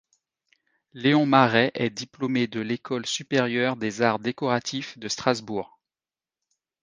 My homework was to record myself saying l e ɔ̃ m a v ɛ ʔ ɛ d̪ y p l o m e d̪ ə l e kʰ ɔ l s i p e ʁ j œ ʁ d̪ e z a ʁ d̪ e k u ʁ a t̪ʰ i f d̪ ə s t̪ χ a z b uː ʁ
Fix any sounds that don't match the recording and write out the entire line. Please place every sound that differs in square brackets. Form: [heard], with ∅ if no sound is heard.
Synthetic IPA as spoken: l e ɔ̃ m a [ʁ] ɛ ʔ ɛ d̪ [i] p l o m e d̪ ə l e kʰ ɔ l s [y] p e ʁ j œ ʁ d̪ e z a ʁ d̪ e k [ɔ] ʁ a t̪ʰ i f d̪ ə s t̪ χ a z b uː ʁ